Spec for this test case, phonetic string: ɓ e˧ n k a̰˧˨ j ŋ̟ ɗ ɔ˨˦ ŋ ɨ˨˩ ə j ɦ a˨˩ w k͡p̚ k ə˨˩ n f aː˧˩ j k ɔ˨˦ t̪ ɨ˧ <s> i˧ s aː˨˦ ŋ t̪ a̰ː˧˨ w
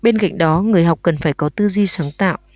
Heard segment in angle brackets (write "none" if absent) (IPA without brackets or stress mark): z